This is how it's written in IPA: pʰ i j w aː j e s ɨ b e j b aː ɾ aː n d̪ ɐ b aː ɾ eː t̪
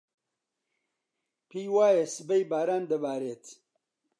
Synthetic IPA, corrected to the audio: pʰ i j w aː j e s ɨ b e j b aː ɾ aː n d̪ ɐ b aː ɾ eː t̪